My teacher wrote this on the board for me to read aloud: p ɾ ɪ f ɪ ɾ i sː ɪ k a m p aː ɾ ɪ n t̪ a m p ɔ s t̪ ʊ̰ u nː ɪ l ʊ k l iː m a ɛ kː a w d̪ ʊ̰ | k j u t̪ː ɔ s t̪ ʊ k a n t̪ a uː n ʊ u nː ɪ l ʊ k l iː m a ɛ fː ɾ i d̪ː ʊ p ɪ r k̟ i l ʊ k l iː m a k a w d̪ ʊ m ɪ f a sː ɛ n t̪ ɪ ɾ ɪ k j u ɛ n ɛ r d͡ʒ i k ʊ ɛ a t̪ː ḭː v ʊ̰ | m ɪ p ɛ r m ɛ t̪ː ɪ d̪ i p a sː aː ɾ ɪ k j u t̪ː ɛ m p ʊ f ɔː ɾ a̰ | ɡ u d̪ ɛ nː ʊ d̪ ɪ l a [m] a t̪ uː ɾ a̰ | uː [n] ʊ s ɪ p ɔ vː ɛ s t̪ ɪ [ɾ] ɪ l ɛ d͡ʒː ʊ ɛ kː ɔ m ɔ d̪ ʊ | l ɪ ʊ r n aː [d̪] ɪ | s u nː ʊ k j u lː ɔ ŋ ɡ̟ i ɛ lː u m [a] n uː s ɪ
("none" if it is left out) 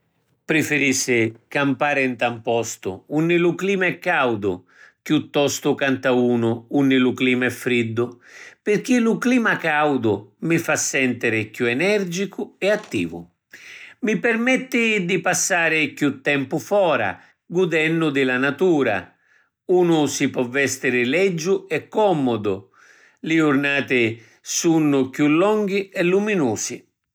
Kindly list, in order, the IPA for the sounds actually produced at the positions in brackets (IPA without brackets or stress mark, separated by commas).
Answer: n, n, ɾ, t̪, i